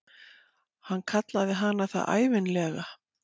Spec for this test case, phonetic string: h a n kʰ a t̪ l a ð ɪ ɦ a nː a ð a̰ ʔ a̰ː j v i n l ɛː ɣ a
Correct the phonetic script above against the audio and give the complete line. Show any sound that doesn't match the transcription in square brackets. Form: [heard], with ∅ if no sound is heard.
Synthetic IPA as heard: h a n kʰ a t̪ l a ð ɪ ɦ a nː a [θ] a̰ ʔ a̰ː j v [ɪ] n l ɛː ɣ a